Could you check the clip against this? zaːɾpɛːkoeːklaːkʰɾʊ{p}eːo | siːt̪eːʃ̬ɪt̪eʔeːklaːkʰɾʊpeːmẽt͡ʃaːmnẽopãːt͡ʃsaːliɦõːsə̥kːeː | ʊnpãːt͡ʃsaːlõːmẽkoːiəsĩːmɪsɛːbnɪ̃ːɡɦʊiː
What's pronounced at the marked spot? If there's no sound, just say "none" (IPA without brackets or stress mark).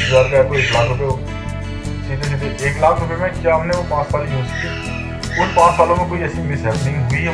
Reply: p